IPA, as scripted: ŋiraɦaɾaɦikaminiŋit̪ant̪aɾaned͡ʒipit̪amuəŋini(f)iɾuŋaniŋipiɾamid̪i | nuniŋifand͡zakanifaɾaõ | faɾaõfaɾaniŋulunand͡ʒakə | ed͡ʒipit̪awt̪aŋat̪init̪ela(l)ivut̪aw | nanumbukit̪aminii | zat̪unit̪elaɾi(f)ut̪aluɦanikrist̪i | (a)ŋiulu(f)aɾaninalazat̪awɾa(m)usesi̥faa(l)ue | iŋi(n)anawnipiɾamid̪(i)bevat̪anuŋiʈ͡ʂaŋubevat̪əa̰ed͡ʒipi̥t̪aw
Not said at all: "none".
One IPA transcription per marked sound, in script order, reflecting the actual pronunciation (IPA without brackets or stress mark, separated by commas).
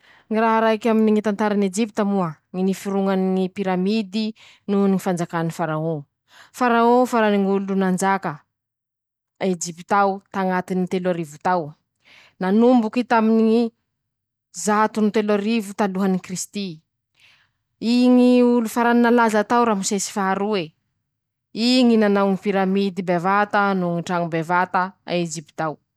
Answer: f, ɾ, v, i, f, m, ɾ, n, i